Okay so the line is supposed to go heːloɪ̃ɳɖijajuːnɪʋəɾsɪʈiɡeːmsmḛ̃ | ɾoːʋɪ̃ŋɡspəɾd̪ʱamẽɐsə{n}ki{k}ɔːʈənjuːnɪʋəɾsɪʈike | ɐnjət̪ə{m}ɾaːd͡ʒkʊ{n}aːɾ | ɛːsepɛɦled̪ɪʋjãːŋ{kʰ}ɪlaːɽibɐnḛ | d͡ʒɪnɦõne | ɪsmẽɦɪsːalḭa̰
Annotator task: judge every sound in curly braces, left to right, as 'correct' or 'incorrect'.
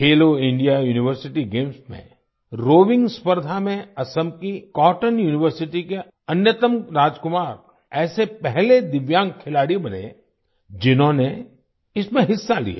incorrect, correct, correct, incorrect, correct

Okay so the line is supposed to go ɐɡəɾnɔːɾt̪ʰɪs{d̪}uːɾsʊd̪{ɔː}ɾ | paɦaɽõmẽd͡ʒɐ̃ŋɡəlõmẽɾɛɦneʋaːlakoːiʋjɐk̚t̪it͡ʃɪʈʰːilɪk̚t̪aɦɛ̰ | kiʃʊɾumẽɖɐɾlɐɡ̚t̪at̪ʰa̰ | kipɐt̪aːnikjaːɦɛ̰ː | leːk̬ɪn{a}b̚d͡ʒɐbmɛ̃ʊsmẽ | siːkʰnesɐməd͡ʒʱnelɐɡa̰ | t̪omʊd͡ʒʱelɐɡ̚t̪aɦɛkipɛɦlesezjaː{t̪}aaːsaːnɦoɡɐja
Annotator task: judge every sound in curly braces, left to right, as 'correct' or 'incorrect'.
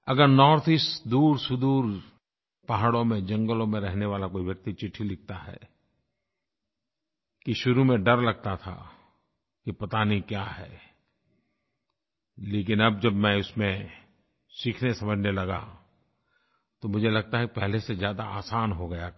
correct, incorrect, incorrect, incorrect

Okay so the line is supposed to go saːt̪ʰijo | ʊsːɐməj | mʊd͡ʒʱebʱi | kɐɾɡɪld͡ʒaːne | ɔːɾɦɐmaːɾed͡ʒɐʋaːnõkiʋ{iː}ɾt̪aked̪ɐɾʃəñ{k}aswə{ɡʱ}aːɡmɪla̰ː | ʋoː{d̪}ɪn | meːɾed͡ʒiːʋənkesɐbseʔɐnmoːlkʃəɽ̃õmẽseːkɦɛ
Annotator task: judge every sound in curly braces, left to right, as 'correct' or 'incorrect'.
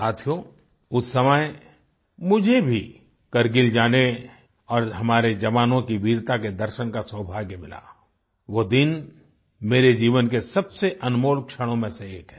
correct, correct, incorrect, correct

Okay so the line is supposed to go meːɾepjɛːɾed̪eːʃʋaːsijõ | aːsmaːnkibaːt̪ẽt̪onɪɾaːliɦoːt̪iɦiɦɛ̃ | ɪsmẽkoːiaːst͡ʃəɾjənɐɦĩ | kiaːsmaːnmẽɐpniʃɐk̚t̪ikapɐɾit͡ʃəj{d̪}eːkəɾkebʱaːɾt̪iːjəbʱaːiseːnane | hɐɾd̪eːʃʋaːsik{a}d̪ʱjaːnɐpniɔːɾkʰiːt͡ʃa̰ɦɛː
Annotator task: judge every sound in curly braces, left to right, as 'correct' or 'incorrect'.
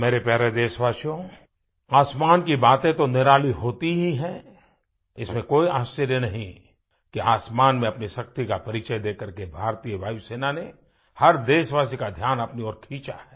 correct, correct

